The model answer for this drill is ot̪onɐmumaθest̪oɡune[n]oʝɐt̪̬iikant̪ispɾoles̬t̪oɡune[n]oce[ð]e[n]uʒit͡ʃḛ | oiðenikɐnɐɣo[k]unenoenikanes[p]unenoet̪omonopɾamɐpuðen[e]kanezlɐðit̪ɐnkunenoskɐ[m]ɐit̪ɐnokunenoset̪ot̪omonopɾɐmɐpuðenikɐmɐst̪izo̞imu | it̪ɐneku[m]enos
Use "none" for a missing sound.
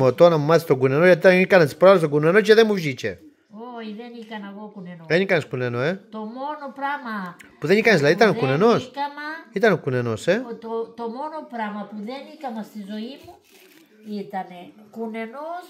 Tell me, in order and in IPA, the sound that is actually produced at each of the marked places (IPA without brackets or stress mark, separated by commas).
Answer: n, n, ð, m, k, k, i, m, n